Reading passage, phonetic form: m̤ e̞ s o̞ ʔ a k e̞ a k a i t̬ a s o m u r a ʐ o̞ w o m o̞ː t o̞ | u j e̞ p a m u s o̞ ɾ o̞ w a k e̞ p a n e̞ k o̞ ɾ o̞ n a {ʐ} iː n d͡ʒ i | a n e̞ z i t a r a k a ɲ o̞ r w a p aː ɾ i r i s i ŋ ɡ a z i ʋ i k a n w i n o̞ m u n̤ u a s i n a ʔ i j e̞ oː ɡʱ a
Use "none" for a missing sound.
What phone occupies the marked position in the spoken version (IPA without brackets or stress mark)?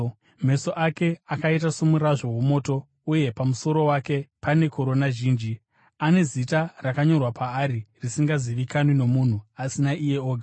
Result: ʒ